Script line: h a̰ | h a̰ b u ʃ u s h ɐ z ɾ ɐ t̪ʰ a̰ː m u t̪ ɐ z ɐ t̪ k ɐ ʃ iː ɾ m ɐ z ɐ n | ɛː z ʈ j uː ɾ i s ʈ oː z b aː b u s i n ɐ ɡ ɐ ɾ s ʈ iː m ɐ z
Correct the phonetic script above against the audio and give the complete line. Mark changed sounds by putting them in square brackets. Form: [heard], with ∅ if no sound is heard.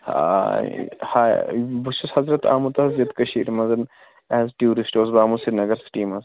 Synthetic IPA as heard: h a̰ | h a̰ b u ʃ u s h ɐ z ɾ ɐ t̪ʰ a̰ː m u t̪ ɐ z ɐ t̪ k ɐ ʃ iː ɾ m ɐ z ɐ n | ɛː z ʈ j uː ɾ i s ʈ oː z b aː [m] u s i n ɐ ɡ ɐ ɾ s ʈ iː m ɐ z